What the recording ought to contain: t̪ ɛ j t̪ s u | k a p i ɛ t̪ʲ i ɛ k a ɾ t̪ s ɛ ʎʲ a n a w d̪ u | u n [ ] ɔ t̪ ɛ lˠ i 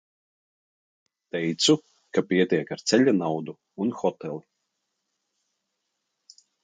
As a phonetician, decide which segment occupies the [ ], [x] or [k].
x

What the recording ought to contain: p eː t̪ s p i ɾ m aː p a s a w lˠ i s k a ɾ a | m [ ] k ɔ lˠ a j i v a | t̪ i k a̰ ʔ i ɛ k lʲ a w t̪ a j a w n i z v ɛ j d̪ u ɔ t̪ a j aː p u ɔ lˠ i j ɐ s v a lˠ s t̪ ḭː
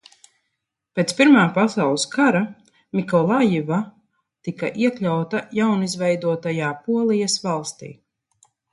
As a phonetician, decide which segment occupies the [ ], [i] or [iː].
i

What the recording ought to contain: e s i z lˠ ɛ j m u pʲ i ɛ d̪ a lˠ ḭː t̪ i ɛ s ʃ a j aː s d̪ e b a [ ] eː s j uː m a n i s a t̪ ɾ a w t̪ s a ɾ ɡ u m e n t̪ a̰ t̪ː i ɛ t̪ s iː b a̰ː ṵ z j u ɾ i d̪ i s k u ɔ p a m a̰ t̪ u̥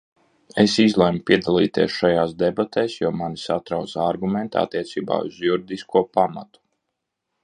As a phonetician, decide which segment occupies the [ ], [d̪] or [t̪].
t̪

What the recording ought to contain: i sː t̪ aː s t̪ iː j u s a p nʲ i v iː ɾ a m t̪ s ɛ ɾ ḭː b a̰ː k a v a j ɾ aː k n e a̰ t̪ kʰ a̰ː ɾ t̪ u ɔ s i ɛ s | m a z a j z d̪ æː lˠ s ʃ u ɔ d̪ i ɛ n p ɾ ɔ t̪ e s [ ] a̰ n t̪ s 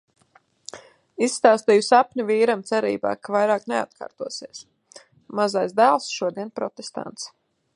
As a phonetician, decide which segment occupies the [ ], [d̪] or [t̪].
t̪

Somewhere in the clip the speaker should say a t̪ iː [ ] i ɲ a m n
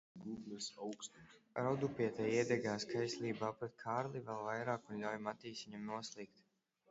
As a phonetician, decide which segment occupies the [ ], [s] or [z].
s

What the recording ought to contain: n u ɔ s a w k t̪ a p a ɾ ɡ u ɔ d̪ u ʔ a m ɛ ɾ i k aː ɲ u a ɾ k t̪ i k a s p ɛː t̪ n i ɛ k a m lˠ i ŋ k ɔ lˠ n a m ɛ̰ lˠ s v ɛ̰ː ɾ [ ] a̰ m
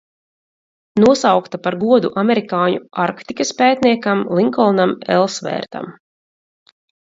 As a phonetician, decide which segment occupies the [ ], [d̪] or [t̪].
t̪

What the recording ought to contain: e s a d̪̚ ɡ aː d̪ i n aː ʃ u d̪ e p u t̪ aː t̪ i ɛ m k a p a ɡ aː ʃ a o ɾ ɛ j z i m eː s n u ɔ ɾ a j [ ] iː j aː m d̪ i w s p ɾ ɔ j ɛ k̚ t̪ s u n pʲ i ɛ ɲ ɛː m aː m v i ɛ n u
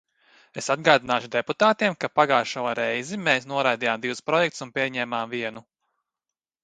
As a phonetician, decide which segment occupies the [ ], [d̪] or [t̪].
d̪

